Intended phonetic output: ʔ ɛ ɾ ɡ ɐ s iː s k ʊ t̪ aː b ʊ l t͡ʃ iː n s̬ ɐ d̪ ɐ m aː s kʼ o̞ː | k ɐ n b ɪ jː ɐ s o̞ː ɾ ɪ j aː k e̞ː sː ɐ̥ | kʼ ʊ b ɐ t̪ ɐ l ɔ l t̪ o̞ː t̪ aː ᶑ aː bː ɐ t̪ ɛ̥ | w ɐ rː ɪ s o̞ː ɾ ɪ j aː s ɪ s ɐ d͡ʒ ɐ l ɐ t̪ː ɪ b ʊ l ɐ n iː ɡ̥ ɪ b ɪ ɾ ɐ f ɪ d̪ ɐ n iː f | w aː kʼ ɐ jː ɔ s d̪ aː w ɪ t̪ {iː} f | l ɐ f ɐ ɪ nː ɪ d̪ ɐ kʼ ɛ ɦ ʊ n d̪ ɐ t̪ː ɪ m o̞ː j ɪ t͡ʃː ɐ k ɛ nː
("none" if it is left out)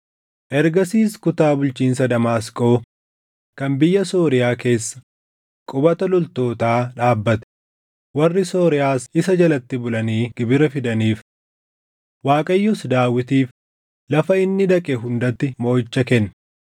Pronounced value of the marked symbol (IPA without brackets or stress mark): iː